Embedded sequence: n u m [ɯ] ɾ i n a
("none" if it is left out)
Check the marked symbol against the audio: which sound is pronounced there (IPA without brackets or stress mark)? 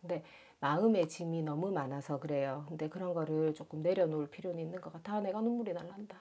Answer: u